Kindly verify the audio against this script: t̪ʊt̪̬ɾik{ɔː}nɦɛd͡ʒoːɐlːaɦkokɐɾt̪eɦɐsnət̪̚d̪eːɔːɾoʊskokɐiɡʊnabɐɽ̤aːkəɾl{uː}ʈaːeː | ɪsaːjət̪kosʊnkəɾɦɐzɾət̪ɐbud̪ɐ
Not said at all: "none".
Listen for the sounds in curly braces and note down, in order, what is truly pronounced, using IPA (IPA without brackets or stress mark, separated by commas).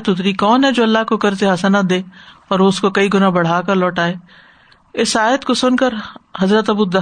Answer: ɔː, ɔː